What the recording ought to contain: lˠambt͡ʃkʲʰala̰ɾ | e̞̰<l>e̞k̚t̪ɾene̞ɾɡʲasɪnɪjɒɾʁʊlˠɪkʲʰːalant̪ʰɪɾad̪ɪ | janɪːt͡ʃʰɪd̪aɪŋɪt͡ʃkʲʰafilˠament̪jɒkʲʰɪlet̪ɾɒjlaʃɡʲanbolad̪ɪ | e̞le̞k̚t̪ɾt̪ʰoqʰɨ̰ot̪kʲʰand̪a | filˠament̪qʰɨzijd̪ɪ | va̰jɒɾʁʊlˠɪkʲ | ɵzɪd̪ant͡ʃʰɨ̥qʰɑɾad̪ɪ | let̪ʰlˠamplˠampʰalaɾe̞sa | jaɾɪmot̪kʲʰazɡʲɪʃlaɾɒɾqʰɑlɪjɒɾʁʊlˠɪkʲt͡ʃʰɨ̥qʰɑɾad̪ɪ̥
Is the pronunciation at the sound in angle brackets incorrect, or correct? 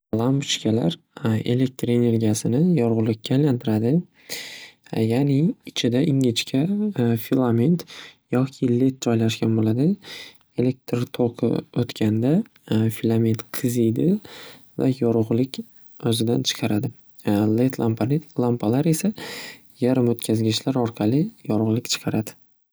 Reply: correct